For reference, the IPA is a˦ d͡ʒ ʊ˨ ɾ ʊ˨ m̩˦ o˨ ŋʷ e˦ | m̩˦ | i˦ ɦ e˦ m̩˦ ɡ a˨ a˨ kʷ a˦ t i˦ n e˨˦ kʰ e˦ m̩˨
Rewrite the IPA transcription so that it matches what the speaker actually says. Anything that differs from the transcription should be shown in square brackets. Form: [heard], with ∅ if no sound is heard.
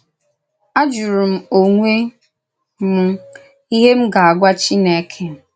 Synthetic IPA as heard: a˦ d͡ʒ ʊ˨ ɾ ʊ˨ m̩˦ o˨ ŋʷ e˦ | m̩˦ | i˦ ɦ e˦ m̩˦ ɡ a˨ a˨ [ɡʷ] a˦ [t͡ʃ] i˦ n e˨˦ kʰ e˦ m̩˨

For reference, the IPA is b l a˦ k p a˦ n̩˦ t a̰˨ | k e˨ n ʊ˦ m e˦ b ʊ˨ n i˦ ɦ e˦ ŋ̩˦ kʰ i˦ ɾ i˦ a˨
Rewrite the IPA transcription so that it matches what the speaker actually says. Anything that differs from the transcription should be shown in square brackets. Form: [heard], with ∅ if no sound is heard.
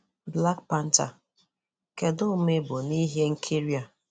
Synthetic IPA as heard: b l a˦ k p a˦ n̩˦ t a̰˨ | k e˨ [d] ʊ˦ m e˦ b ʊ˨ n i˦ ɦ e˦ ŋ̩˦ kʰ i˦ ɾ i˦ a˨

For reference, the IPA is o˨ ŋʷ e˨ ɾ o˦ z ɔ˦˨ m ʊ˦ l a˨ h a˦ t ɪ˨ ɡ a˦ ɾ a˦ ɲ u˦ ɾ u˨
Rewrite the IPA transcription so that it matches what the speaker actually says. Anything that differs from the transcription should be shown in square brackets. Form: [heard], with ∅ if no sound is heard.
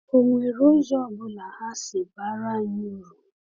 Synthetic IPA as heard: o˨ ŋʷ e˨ ɾ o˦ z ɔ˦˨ [b] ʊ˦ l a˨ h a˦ [s] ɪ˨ [b] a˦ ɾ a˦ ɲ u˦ ɾ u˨

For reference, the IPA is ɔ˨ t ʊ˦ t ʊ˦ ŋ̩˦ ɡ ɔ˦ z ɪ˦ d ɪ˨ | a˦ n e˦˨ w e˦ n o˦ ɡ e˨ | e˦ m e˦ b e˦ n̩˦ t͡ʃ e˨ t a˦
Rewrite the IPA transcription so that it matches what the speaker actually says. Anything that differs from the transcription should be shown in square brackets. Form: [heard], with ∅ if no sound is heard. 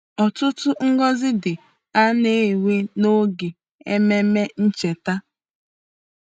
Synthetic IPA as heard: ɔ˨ t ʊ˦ t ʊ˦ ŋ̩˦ ɡ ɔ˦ z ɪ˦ d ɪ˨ | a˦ n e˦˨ w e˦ n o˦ ɡ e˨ | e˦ m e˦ [m] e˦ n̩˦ t͡ʃ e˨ t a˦

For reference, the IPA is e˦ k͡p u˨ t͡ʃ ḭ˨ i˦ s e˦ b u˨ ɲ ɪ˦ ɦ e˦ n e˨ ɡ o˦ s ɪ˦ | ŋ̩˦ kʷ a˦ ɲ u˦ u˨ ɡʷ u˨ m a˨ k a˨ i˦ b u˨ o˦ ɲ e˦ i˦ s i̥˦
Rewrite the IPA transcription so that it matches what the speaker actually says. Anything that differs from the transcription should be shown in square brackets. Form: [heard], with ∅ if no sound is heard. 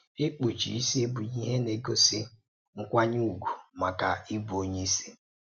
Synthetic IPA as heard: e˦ k͡p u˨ t͡ʃ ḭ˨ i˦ s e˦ b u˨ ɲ [i˦] ɦ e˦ n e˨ ɡ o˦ s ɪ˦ | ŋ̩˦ kʷ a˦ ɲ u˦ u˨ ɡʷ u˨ m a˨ k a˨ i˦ b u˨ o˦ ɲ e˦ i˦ s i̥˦

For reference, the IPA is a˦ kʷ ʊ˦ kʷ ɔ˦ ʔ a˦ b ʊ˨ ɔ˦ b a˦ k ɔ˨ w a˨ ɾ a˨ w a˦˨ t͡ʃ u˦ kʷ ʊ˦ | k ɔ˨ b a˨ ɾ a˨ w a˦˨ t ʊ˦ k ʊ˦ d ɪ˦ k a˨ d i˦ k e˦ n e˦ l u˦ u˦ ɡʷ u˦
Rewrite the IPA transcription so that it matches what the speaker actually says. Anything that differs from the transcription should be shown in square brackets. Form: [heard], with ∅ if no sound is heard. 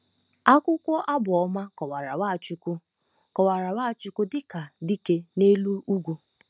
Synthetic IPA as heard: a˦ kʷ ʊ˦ kʷ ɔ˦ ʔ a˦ b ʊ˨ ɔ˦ [m] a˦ k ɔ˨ w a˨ ɾ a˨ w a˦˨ t͡ʃ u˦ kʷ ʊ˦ | k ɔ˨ [w] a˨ ɾ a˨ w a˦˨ [t͡ʃ] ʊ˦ k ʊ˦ d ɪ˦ k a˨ d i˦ k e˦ n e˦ l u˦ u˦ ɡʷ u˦

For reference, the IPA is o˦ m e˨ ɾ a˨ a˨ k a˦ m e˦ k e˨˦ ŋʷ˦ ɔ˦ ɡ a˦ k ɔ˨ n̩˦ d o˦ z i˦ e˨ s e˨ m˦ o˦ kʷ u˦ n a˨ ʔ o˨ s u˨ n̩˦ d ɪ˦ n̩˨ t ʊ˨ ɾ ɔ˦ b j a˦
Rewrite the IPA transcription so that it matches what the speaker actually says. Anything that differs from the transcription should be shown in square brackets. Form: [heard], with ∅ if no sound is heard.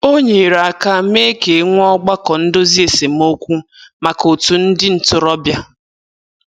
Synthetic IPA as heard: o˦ [ɲ] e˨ ɾ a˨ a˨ k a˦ m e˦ k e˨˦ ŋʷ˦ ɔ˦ [ɡ͡b] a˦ k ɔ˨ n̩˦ d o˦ z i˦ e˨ s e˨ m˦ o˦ kʷ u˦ [m] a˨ [k] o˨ [t] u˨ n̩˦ d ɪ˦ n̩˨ t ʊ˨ ɾ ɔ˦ b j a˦

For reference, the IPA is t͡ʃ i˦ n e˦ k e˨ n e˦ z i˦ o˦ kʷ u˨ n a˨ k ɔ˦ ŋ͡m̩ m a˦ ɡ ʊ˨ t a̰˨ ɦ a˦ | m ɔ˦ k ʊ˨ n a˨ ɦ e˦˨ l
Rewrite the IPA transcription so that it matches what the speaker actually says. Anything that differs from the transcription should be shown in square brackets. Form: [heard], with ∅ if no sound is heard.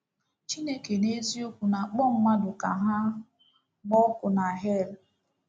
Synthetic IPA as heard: t͡ʃ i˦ n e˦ k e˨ n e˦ z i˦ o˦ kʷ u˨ n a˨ [k͡p] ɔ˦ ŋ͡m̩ m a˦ [d] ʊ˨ [k] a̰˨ ɦ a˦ | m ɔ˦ k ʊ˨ n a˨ ɦ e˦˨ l

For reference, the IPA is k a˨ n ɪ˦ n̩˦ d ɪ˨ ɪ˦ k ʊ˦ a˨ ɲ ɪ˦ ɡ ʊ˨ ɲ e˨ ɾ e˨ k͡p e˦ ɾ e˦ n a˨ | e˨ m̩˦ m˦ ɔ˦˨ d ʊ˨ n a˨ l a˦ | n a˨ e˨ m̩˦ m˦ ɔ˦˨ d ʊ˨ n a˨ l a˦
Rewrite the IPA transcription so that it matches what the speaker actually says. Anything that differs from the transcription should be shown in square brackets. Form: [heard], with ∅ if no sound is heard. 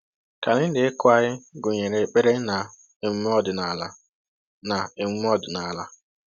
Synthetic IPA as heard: k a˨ n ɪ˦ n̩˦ d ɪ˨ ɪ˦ k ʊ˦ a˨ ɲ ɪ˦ ɡ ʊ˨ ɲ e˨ ɾ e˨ k͡p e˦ ɾ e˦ n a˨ | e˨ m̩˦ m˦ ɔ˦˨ d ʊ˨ n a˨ l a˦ | n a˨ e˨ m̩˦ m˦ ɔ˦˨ d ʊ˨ n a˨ l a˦

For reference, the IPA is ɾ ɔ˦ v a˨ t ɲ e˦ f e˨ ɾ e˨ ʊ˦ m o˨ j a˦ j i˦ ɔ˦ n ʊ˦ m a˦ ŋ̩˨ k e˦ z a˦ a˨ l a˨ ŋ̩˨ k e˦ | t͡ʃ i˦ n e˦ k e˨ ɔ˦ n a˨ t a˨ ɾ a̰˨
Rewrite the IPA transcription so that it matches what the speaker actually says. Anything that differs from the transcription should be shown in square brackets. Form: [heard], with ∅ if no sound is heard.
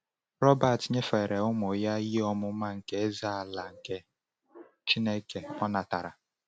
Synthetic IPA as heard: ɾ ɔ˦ [b] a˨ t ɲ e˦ f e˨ ɾ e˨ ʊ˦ m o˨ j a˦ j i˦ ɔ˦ [m] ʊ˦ m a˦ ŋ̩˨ k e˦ z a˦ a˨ l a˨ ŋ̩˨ k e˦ | t͡ʃ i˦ n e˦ k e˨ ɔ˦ n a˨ t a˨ ɾ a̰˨

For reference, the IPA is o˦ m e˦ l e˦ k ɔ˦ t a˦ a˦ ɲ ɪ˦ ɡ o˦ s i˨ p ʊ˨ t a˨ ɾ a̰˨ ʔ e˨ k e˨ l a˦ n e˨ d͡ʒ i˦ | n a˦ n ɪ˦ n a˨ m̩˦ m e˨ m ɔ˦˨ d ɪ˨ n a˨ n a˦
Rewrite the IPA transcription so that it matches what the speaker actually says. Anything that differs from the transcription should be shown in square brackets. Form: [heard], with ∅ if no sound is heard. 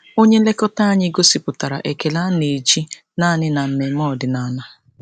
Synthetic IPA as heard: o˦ [ɲ] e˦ l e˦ k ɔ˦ t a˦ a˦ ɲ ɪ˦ ɡ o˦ s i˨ p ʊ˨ t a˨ ɾ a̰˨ ʔ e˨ k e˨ l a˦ n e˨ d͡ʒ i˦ | n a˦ n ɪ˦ n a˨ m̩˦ m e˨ m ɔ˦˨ d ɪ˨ n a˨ n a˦

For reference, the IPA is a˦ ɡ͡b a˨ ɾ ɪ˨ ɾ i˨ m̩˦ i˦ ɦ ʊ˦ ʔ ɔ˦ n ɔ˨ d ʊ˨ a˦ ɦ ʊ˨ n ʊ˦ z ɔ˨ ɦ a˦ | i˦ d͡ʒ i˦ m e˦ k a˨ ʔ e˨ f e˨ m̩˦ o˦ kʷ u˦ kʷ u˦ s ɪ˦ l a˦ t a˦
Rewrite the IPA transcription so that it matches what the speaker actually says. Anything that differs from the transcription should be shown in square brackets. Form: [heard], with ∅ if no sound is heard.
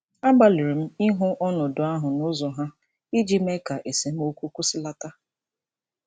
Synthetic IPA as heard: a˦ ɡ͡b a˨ [l] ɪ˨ ɾ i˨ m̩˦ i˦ ɦ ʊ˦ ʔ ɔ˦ n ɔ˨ d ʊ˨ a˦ ɦ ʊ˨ n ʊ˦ z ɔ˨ ɦ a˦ | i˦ d͡ʒ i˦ m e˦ k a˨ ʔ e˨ [s] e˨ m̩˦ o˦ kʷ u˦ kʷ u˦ s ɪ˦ l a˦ t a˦

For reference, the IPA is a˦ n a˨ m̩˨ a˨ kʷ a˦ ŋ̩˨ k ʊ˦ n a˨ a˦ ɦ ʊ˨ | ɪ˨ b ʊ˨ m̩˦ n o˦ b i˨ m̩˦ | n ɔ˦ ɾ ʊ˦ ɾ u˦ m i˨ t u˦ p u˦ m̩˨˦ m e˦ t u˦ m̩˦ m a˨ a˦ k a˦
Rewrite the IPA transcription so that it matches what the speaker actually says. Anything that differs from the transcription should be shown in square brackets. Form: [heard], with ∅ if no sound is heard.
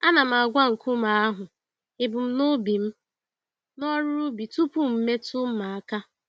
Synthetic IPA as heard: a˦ n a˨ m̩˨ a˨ [ɡʷ] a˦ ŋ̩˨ k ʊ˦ [m] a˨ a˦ ɦ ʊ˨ | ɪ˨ b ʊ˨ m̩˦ n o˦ b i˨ m̩˦ | n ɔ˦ ɾ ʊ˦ ɾ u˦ [b] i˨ t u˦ p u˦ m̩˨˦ m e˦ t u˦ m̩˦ m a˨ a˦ k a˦

